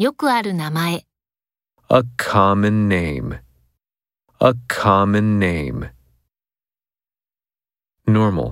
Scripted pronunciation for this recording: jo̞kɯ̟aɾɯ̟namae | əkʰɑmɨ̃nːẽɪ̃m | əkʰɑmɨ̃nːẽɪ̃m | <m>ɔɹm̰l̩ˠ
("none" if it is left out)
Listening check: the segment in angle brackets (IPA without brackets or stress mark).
n